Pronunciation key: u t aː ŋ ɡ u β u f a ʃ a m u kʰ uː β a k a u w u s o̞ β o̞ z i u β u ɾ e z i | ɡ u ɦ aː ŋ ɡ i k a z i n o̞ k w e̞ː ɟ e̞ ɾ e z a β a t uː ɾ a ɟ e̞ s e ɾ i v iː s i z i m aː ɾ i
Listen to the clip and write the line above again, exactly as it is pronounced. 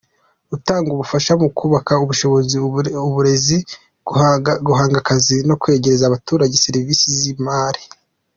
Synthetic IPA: u t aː ŋ ɡ u β u f a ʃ a m u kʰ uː β a k a u β u ʃ o̞ β o̞ z i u β u ɾ e z i | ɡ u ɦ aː ŋ ɡ a k a z i n o̞ k w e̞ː ɟ e̞ ɾ e z a β a t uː ɾ a ɟ e̞ s e ɾ i v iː s i z i m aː ɾ i